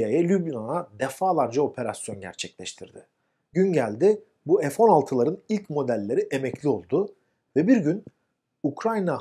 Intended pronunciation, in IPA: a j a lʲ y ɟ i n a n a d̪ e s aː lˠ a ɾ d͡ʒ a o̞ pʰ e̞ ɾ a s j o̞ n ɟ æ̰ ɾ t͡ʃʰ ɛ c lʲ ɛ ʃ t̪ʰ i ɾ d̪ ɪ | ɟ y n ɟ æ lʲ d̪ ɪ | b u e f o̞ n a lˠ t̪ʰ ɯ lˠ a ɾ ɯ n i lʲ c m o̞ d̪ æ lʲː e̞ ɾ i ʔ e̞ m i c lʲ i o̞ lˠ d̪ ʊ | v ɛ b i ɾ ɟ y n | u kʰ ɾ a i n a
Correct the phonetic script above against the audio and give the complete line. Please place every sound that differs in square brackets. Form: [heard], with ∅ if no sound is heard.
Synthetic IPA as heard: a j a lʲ y [b] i n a n a d̪ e [f] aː lˠ a ɾ d͡ʒ a o̞ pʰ e̞ ɾ a s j o̞ n ɟ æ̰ ɾ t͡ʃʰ ɛ c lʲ ɛ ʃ t̪ʰ i ɾ d̪ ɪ | ɟ y n ɟ æ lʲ d̪ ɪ | b u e f o̞ n a lˠ t̪ʰ ɯ lˠ a ɾ ɯ n i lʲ c m o̞ d̪ æ lʲː e̞ ɾ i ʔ e̞ m [ɛ] c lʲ i o̞ lˠ d̪ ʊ | v ɛ b i ɾ ɟ y n | u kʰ ɾ a [j] n a

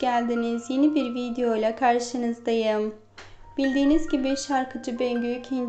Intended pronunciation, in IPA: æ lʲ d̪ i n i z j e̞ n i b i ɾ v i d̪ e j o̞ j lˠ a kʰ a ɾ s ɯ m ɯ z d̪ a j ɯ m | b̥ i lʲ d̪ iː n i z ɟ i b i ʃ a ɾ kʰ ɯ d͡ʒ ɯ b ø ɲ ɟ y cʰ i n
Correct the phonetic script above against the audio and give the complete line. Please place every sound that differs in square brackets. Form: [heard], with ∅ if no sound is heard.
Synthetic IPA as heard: æ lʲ d̪ i n i z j e̞ n i b i ɾ v i d̪ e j o̞ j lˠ a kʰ a ɾ [ʃ] ɯ [n] ɯ z d̪ a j ɯ m | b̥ i lʲ d̪ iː n i z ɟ i b i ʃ a ɾ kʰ ɯ d͡ʒ ɯ b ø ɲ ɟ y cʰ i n

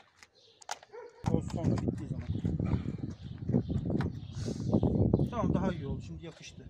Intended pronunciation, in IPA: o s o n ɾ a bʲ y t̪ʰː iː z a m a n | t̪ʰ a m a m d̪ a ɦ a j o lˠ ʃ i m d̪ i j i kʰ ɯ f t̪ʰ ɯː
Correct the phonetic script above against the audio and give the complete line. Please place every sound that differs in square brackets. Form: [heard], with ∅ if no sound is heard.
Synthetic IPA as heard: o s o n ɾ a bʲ [i] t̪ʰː iː z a m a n | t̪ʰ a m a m d̪ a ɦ a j o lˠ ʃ i m d̪ i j [a] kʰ ɯ [ʃ] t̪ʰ [ɯ]

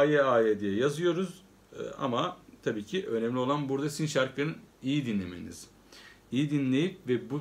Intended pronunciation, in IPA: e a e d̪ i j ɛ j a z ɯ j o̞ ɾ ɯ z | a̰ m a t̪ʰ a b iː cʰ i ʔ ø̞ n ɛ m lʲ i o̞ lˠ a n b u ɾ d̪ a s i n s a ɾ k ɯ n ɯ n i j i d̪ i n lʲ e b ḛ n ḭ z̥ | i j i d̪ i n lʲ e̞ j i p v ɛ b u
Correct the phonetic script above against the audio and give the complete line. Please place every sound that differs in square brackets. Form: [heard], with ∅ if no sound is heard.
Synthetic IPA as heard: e a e d̪ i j ɛ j a z ɯ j o̞ ɾ [u] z | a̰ m a t̪ʰ a b iː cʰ i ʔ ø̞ n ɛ m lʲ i o̞ lˠ a n b u ɾ d̪ a s i n [ʃ] a ɾ k ɯ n ɯ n i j i d̪ i n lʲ e [m] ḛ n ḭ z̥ | i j i d̪ i n lʲ e̞ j i p v ɛ b u

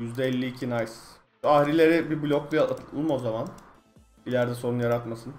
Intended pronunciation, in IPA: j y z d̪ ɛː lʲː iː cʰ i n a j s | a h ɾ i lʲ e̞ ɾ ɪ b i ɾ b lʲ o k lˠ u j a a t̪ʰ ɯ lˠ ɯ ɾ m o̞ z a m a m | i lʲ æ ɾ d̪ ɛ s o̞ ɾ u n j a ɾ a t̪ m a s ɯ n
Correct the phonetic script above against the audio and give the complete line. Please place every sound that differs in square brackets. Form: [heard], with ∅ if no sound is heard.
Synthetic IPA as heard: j y z d̪ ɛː lʲː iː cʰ i n a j s | a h ɾ i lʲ e̞ ɾ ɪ b i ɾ b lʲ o k lˠ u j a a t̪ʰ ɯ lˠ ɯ [∅] m o̞ z a m a [n] | i lʲ æ ɾ d̪ ɛ s o̞ ɾ u n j a ɾ a t̪ m a s ɯ n

